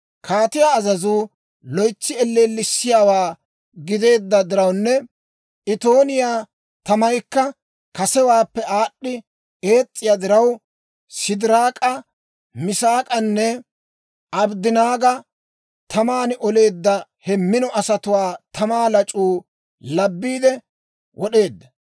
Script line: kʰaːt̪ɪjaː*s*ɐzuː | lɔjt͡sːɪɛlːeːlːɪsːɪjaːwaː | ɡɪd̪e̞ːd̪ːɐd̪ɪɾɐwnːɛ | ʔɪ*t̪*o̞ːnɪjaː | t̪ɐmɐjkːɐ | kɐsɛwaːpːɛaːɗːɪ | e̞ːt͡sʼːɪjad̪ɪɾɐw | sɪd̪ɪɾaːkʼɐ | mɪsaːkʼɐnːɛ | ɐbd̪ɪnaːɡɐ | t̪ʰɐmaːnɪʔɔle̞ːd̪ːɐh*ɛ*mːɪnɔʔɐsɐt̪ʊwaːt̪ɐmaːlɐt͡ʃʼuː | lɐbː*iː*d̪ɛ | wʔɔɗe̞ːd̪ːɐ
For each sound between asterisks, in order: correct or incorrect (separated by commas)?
incorrect, correct, correct, correct